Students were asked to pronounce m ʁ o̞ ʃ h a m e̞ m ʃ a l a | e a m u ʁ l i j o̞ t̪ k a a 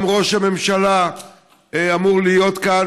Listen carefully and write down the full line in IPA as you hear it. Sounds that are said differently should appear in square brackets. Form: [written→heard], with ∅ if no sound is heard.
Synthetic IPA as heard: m ʁ o̞ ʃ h a m e̞ m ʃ a l a | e a m u ʁ l i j o̞ t̪ k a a